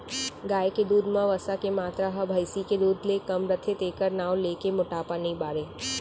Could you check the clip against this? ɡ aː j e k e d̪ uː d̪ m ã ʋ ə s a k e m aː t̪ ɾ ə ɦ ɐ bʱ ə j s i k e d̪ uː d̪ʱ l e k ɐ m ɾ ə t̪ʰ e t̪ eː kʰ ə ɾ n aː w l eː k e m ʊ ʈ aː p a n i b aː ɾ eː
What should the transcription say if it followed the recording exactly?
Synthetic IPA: ɡ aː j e k e d̪ uː d̪ m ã ʋ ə s a k e m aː t̪ ɾ a ɦ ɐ bʱ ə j s i k e d̪ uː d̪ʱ l e k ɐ m ɾ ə t̪ʰ e t̪ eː k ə ɾ n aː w l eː k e m ʊ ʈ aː p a n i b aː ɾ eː